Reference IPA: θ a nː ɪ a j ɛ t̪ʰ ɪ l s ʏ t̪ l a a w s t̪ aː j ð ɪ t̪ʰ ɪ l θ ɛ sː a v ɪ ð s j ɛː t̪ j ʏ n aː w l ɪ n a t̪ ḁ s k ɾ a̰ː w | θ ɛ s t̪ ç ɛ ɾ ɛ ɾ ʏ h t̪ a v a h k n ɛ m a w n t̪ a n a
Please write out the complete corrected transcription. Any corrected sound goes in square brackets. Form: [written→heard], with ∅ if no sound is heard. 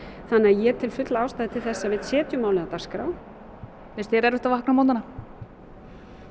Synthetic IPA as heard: θ a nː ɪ a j ɛ t̪ʰ ɪ l [s→f] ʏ t̪ l a a w s t̪ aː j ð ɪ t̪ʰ ɪ l θ ɛ sː a v ɪ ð s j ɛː t̪ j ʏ [n→m] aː w l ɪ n a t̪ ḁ s k ɾ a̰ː w | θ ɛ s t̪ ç ɛ ɾ ɛ ɾ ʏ h t̪ a v a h k n [ɛ→a] m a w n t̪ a n a